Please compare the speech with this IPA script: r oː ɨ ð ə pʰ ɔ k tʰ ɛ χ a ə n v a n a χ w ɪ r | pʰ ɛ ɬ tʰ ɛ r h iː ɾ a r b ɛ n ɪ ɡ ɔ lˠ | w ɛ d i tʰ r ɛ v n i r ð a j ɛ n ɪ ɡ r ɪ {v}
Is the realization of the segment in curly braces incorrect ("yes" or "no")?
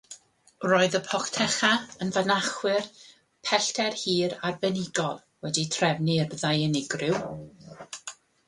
yes